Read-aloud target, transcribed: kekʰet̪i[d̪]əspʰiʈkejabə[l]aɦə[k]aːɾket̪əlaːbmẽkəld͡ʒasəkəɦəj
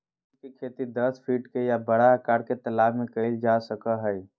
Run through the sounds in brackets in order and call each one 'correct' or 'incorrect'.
correct, incorrect, correct

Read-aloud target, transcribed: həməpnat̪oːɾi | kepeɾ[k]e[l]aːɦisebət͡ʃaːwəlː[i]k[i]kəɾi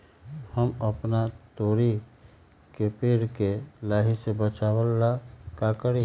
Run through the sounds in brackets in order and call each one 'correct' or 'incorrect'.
correct, correct, incorrect, incorrect

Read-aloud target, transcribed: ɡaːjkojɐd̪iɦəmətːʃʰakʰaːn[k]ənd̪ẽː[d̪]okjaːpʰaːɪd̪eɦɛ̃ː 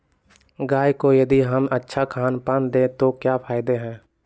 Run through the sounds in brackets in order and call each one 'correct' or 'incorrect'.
incorrect, incorrect

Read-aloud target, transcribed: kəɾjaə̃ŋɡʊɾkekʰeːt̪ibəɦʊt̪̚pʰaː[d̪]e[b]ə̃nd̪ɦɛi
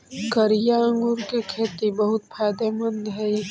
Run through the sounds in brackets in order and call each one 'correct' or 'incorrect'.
correct, incorrect

